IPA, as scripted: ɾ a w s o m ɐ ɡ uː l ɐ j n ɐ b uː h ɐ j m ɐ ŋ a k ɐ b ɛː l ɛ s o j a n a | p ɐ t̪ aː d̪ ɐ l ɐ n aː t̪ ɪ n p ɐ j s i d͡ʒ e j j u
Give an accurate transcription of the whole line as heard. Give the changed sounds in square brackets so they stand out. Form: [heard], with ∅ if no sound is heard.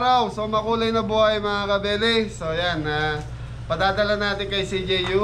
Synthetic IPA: ɾ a w s o m ɐ [k] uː l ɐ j n ɐ b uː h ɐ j m ɐ ŋ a k ɐ b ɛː l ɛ s o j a n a | p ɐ [d̪] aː d̪ ɐ l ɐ n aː t̪ ɪ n [k] ɐ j s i d͡ʒ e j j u

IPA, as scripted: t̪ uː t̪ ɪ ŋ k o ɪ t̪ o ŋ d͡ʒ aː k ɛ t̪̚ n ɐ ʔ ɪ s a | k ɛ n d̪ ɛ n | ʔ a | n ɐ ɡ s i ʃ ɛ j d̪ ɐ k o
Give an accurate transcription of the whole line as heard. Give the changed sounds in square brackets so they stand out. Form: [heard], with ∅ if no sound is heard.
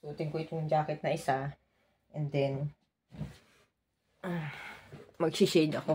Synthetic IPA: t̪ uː t̪ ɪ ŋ k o ɪ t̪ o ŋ d͡ʒ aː k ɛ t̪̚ n ɐ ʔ ɪ s a | [ʔ] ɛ n d̪ ɛ n | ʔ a | [m] ɐ ɡ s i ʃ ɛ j d̪ ɐ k o

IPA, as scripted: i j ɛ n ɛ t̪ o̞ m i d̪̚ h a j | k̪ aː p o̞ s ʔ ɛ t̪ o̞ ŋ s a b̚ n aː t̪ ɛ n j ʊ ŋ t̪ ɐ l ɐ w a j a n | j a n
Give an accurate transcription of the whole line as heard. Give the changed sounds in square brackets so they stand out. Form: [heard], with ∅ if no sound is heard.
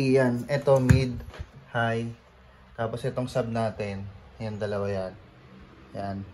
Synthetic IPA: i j [a] n ɛ t̪ o̞ m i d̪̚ h a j | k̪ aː p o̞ s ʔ ɛ t̪ o̞ ŋ s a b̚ n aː t̪ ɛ n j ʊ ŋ [d̪] ɐ l ɐ w a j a n | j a n

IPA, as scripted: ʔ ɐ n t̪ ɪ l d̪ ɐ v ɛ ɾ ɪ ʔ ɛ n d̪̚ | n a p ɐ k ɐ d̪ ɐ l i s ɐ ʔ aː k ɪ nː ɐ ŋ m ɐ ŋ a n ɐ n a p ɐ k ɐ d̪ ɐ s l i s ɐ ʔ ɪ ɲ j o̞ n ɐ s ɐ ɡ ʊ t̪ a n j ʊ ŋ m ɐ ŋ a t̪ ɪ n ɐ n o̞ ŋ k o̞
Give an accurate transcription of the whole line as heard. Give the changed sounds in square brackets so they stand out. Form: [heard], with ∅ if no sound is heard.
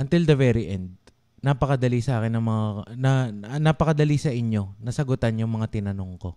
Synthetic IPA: ʔ ɐ n t̪ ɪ l d̪ ɐ v ɛ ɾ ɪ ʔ ɛ n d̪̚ | n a p ɐ k ɐ d̪ ɐ l i s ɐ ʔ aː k ɪ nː ɐ ŋ m ɐ ŋ a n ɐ n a p ɐ k ɐ d̪ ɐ [∅] l i s ɐ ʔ ɪ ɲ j o̞ n ɐ s ɐ ɡ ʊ t̪ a n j ʊ ŋ m ɐ ŋ a t̪ ɪ n ɐ n o̞ ŋ k o̞

